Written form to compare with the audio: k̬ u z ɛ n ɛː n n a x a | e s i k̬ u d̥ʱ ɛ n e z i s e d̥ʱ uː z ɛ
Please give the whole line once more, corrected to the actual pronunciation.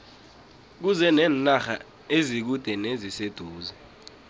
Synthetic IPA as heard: k̬ u z ɛ n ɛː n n a x a | e z i k̬ u d̥ʱ ɛ n e z i s e d̥ʱ uː z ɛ